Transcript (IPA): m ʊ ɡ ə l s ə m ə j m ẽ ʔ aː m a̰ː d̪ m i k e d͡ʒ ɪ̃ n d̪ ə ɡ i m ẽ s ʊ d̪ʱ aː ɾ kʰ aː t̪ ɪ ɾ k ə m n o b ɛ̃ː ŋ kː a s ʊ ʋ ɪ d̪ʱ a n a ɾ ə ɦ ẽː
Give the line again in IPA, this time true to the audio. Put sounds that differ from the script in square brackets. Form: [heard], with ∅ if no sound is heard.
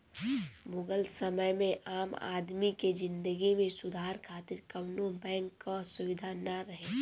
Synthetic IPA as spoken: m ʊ ɡ ə l s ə m ə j m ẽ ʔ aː m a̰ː d̪ m i k e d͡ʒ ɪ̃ n d̪ ə ɡ i m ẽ s ʊ d̪ʱ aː ɾ kʰ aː t̪ ɪ ɾ k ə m n o b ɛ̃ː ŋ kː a s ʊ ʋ ɪ d̪ʱ a n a ɾ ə ɦ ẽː